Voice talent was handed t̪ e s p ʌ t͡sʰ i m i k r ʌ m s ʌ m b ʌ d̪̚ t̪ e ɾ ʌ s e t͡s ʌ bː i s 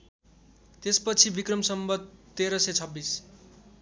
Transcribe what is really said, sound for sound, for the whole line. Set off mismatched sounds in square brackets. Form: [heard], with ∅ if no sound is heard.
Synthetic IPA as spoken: t̪ e s p ʌ t͡sʰ i [b] i k r ʌ m s ʌ m b ʌ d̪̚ t̪ e ɾ ʌ s e [t͡sʰ] ʌ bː i s